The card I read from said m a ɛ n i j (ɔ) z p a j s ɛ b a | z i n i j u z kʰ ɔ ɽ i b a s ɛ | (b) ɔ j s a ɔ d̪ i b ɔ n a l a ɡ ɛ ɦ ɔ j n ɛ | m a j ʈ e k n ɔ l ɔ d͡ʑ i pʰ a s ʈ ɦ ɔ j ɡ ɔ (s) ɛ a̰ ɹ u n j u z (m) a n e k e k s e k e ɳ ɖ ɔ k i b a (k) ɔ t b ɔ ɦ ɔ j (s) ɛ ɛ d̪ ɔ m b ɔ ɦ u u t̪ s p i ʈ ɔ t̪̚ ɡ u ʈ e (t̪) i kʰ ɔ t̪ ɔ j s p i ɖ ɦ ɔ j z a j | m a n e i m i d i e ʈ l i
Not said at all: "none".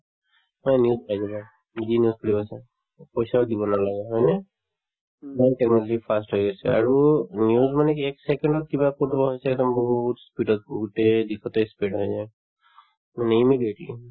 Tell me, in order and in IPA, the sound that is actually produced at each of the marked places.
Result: u, p, s, m, k, s, d̪

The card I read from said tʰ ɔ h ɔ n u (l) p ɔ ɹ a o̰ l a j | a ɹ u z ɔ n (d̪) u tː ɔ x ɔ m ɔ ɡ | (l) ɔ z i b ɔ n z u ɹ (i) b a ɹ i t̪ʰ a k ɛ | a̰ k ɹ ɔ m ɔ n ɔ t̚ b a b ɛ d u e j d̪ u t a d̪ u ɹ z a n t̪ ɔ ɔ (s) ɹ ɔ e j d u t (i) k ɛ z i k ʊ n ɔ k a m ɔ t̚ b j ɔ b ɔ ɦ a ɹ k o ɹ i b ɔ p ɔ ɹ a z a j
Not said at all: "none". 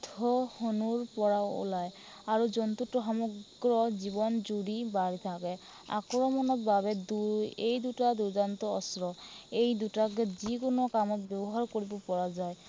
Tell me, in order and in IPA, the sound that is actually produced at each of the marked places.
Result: ɹ, t̪, ɹ, i, s, a

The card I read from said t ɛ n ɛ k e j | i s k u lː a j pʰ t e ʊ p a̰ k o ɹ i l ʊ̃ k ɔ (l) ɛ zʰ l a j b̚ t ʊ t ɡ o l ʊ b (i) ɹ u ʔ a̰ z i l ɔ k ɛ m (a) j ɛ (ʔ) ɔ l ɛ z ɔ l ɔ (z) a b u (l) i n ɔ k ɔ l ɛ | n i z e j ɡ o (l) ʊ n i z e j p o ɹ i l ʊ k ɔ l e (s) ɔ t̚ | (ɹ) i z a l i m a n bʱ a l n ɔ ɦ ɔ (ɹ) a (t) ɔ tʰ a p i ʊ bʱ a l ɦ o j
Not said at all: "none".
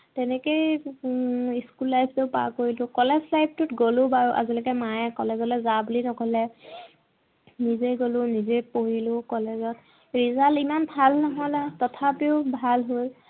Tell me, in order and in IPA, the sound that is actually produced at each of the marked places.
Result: l, a, a, k, z, l, l, z, ɹ, l, t

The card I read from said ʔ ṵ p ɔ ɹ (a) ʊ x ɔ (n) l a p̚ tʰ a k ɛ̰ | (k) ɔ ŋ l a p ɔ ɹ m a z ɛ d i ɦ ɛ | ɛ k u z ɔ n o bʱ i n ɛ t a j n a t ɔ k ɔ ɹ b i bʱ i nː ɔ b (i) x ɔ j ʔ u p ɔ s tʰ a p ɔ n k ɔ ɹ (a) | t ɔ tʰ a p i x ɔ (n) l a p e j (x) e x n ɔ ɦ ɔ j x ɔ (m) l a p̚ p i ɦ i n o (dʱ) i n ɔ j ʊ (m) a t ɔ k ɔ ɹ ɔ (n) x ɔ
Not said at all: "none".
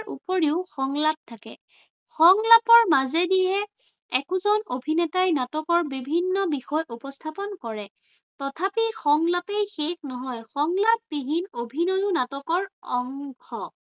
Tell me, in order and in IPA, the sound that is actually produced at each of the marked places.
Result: i, ŋ, x, i, ɛ, ŋ, x, ŋ, bʱ, n, ŋ

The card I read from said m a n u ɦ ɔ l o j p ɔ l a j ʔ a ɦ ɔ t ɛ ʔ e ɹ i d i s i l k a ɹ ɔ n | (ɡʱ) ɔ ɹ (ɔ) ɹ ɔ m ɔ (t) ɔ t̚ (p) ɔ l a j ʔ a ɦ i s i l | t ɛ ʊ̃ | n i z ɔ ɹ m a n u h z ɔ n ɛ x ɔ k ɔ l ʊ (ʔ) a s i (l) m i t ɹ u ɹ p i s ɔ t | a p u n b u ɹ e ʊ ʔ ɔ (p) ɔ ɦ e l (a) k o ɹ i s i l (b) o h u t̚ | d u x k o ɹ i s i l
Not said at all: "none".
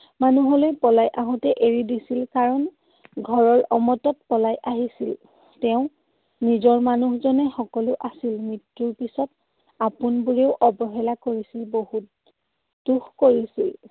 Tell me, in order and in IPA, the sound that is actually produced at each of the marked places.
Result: ɡʱ, ɔ, t, p, ʔ, l, b, a, b

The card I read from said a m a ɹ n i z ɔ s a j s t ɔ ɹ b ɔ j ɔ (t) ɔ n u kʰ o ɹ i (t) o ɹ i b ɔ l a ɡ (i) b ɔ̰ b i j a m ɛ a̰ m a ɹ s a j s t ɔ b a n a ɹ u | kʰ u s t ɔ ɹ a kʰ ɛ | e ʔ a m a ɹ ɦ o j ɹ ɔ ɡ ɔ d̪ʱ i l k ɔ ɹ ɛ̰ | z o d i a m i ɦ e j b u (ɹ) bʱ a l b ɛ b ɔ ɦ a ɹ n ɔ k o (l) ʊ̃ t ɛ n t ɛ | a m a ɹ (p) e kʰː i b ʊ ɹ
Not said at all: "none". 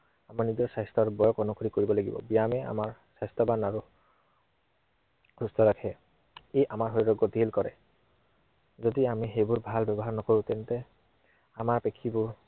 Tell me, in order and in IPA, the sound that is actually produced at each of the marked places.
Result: k, k, i, ɹ, ɹ, p

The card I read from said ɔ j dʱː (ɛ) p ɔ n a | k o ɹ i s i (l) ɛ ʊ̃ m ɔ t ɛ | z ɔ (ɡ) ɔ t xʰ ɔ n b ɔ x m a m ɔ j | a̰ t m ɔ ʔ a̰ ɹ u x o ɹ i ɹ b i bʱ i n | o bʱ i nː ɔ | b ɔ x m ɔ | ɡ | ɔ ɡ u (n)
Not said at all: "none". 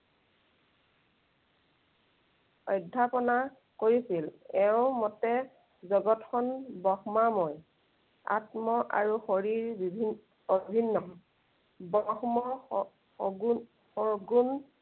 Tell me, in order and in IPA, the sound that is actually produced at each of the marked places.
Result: a, l, ɡ, n

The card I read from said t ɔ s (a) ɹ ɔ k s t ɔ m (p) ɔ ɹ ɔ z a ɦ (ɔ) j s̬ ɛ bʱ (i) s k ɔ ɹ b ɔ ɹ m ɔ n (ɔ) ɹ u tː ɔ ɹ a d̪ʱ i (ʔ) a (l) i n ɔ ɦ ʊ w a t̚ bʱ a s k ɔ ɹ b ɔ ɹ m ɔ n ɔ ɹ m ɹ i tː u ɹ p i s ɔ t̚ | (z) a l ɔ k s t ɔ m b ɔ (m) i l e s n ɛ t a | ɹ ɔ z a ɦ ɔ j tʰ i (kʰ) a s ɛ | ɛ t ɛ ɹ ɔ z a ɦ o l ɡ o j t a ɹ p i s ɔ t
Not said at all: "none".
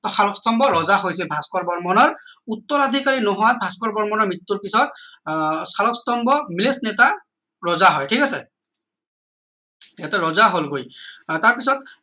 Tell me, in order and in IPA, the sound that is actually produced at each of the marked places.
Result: a, b, o, a, ɔ, k, ɹ, s, m, k

